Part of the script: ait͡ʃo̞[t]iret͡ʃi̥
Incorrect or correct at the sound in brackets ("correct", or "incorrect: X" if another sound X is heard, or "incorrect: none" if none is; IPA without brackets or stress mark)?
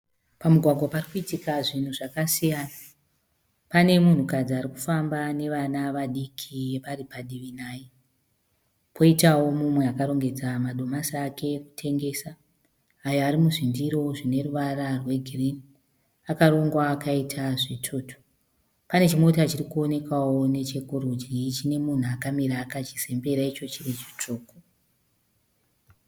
incorrect: t͡ʃ